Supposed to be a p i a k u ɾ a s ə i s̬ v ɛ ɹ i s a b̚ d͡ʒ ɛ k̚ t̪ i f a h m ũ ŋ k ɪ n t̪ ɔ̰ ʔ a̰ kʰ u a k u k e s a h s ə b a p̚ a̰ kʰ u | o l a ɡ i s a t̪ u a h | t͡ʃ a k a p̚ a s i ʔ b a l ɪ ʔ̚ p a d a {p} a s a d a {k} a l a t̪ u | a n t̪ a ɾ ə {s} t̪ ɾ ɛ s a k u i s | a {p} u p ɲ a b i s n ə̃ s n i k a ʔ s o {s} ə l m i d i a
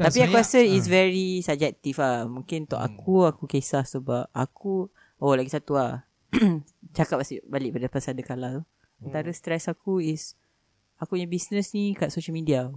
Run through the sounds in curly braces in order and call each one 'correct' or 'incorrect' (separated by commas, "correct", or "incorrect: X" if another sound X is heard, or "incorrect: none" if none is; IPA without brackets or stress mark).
correct, correct, correct, incorrect: k, incorrect: ʃ